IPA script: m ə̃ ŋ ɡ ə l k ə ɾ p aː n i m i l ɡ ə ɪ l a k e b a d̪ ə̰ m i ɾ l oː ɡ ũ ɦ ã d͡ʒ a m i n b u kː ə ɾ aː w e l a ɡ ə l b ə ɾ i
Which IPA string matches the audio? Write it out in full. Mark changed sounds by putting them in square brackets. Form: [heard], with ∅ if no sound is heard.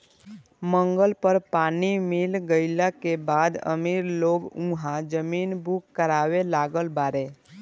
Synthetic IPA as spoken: m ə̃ ŋ ɡ ə l [p] ə ɾ p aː n i m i l ɡ ə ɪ l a k e b a d̪ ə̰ m i ɾ l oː ɡ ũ ɦ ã d͡ʒ [ə] m i n b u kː ə ɾ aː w e l a ɡ ə l b [a] ɾ [e]